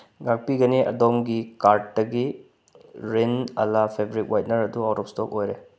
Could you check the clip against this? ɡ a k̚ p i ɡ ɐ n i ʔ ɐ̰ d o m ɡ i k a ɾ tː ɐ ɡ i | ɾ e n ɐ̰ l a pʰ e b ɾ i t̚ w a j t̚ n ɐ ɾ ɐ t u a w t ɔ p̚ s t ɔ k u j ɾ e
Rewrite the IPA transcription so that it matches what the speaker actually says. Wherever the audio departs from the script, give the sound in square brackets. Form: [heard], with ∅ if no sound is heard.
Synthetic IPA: ɡ a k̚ p i ɡ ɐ n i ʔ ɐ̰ d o m ɡ i k a ɾ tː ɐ ɡ i | ɾ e n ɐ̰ l a pʰ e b ɾ i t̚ w a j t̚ n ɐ ɾ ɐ [d] u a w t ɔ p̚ s t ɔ k [o] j ɾ e